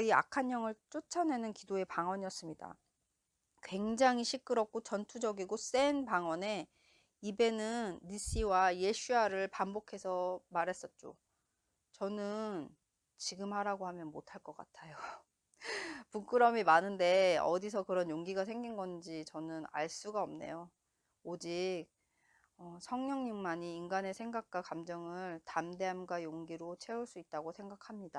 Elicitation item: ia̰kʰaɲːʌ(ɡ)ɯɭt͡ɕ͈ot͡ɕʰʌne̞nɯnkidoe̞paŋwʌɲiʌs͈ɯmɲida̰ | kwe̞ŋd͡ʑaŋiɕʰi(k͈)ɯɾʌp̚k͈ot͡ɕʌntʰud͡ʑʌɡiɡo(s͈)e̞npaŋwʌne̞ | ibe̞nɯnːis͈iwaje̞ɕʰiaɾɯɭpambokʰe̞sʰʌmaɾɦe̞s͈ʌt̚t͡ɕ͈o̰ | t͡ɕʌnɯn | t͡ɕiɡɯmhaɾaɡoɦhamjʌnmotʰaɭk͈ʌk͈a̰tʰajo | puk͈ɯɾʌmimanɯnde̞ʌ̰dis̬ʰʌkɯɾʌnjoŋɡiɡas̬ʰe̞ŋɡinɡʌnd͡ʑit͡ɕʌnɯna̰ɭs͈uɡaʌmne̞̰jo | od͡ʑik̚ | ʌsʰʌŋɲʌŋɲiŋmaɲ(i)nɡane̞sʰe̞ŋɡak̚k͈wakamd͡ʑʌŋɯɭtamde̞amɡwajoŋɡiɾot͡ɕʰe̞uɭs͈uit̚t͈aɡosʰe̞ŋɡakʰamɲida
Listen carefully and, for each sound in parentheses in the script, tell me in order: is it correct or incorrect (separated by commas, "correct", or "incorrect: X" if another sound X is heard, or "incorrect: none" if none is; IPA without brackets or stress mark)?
incorrect: ŋ, correct, correct, incorrect: iː